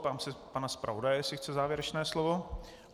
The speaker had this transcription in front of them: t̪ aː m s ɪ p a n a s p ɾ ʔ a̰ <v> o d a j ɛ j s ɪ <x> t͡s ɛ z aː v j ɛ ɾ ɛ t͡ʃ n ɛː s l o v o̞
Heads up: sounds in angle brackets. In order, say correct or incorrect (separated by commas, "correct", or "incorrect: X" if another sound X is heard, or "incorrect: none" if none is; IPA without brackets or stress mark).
correct, correct